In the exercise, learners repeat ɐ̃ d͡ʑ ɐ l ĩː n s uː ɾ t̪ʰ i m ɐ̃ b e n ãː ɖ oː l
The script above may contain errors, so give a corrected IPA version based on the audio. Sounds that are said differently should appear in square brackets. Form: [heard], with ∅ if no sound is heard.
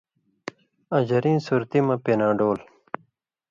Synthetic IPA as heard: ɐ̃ d͡ʑ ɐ [ɾ] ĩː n s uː ɾ [t̪] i m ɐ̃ [p] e n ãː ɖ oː l